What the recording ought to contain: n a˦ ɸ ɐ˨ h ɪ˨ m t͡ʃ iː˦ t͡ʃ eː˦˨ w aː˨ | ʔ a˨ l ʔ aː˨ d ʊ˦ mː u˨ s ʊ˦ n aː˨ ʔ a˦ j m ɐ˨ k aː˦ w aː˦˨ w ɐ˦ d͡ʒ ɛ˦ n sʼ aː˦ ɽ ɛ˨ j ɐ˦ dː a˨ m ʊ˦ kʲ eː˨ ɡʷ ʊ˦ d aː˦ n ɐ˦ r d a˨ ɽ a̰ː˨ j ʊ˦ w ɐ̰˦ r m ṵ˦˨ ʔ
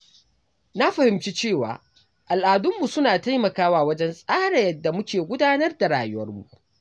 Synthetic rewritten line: n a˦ ɸ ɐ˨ h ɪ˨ m t͡ʃ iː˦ t͡ʃ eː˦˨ w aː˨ | ʔ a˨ l ʔ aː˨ d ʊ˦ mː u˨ s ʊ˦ n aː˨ t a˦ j m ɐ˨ k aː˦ w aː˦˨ w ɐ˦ d͡ʒ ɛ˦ n sʼ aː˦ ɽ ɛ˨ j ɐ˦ dː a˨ m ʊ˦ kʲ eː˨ ɡʷ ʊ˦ d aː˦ n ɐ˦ r d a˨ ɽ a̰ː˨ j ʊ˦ w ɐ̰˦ r m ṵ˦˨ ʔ

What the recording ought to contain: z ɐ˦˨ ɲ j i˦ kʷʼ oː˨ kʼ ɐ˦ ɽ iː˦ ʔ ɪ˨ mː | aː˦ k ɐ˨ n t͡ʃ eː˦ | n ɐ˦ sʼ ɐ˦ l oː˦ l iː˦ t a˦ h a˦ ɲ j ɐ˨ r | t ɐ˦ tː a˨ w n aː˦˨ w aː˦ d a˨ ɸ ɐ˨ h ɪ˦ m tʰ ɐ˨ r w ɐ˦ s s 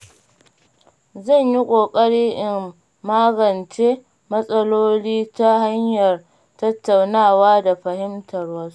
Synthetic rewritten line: z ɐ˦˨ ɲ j i˦ kʷʼ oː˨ kʼ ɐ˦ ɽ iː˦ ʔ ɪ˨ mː | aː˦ ɡ ɐ˨ n t͡ʃ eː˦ | m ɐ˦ sʼ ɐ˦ l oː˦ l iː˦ t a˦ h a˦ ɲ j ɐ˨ r | t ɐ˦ tː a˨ w n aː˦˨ w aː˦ d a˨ ɸ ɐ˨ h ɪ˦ m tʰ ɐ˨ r w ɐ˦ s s

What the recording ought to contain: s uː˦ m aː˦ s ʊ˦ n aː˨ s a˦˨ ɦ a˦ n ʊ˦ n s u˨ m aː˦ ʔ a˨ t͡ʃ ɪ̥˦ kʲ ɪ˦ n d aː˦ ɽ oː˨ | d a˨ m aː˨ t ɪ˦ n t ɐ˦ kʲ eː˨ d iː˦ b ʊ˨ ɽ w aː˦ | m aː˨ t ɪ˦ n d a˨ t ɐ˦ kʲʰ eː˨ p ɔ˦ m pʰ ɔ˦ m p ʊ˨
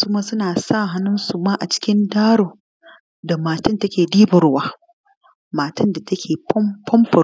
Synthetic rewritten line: s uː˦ m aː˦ s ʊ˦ n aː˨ s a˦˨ ɦ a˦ n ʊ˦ n s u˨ m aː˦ ʔ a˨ t͡ʃ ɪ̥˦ kʲ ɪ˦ n d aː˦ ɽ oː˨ | d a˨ m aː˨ t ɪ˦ n t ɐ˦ kʲ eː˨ d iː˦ b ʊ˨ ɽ w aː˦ | m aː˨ t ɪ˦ n d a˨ t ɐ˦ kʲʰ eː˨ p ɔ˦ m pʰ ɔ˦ m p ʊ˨

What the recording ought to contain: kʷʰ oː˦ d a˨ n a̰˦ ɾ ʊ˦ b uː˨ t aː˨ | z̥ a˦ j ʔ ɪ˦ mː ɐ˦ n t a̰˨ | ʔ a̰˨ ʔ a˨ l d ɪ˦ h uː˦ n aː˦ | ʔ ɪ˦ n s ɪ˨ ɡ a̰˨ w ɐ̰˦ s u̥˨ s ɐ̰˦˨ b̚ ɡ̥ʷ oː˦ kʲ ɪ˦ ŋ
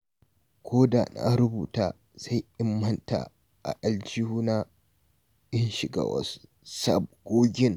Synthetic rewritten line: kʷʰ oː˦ d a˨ n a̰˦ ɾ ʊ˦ b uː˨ t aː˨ | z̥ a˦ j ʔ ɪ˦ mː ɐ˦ n t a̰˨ | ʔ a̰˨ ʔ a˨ l d͡ʒ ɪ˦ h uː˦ n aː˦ | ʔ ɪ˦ n ʃ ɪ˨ ɡ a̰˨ w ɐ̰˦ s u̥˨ s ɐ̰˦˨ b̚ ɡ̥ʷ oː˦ ɡʲ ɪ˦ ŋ

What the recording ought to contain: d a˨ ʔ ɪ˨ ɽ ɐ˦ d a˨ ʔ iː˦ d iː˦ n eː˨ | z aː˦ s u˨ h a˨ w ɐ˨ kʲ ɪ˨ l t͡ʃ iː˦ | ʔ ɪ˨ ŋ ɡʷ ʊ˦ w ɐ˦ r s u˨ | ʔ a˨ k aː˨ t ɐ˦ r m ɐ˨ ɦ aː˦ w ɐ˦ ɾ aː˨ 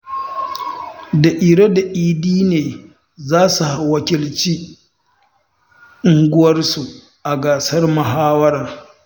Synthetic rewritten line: d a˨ ʔ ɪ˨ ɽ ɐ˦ d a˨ ʔ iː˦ d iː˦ n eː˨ | z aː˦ s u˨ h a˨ w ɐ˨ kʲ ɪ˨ l t͡ʃ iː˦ | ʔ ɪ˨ ŋ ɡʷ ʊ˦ w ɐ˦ r s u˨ | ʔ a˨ ɡ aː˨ s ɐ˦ r m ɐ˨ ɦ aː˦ w ɐ˦ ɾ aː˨

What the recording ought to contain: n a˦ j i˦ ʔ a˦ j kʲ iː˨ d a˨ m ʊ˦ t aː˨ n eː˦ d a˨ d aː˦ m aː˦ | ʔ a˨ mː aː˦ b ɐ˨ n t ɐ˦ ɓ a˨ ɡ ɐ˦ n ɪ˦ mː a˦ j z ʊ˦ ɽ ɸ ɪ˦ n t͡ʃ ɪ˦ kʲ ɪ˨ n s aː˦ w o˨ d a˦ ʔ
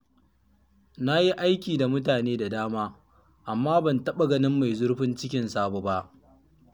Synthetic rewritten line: n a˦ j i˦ ʔ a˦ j kʲ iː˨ d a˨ m ʊ˦ t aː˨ n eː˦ d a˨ d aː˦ m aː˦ | ʔ a˨ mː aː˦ b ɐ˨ n t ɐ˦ ɓ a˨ ɡ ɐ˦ n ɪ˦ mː a˨ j z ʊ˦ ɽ ɸ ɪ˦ n t͡ʃ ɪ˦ kʲ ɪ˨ n s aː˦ b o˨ b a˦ ʔ

